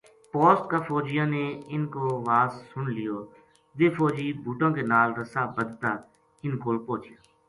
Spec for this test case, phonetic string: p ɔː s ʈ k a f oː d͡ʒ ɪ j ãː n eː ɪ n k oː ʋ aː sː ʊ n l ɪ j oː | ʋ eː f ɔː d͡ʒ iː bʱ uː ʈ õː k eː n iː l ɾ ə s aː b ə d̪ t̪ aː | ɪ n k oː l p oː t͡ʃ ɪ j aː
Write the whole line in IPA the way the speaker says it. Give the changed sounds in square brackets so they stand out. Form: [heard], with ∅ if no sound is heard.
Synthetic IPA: p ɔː s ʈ k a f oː d͡ʒ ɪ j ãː n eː ɪ n k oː ʋ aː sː ʊ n l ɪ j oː | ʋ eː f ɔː d͡ʒ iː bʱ uː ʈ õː k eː n [aː] l ɾ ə s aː b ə d̪ t̪ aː | ɪ n k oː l p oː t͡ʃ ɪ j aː